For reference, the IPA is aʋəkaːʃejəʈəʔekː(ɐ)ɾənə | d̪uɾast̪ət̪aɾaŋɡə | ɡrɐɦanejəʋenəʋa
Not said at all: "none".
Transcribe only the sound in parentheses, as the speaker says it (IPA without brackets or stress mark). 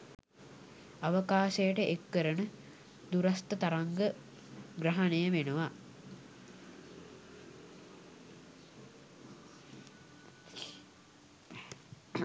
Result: ə